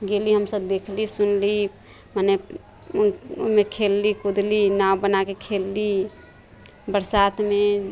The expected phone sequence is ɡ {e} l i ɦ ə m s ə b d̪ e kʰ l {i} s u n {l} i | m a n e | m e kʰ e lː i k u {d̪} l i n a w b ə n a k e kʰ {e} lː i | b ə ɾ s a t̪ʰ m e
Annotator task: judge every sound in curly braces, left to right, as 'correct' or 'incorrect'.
correct, correct, correct, correct, correct

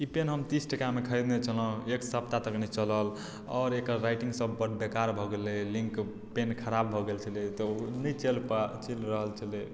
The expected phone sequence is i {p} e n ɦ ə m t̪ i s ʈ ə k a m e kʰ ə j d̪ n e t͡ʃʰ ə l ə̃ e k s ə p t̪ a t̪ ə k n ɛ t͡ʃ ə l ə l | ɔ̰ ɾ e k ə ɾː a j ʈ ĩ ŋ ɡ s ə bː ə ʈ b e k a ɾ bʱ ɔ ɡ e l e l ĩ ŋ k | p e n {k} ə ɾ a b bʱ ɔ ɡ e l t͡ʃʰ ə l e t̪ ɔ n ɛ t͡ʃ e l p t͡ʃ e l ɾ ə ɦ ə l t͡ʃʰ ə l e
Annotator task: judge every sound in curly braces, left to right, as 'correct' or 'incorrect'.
correct, incorrect

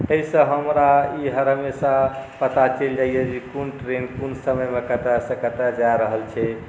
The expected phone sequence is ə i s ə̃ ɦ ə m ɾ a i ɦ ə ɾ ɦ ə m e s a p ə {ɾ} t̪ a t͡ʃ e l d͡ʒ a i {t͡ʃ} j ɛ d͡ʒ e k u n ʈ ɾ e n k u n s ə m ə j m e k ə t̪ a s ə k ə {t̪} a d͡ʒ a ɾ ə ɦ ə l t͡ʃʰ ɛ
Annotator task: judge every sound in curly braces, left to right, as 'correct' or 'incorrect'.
incorrect, incorrect, correct

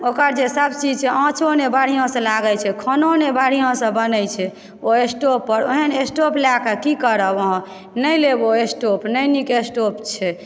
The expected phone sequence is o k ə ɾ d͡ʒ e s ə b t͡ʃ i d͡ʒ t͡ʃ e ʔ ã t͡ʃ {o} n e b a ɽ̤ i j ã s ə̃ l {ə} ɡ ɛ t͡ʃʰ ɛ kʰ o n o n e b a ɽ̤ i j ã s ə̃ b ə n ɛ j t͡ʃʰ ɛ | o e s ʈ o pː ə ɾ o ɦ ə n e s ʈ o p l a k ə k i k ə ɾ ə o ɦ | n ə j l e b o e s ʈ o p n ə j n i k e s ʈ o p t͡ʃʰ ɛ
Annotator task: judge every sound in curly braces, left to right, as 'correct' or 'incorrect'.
correct, incorrect

